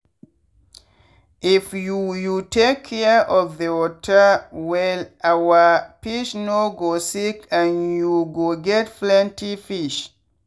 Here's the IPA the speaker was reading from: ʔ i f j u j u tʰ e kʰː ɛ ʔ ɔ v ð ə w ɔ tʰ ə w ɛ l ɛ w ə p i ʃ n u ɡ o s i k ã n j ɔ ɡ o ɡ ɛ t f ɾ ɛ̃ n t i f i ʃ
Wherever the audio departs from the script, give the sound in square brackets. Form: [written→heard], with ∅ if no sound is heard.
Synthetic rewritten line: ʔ i f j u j u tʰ e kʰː ɛ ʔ ɔ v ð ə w ɔ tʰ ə w ɛ l [ɛ→a] w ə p i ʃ n [u→o] ɡ o s i k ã n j [ɔ→u] ɡ o ɡ ɛ t f [ɾ→l] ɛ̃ n t i f i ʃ